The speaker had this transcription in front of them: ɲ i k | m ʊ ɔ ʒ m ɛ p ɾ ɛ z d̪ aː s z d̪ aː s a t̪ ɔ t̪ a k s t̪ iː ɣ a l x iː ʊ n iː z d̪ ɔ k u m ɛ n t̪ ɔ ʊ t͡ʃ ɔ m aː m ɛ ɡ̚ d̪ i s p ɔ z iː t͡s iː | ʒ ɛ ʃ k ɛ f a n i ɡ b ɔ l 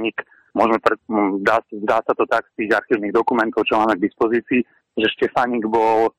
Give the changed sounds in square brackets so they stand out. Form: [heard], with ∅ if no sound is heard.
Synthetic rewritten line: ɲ i k | m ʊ ɔ ʒ m ɛ p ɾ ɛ z d̪ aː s z d̪ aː s a t̪ ɔ t̪ a k s t̪ iː ɣ a [ɾ] x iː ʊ n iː [ɣ] d̪ ɔ k u m ɛ n t̪ ɔ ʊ t͡ʃ ɔ m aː m ɛ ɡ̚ d̪ i s p ɔ z iː t͡s iː | ʒ ɛ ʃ [c] ɛ f a [ɲ] i ɡ b ɔ l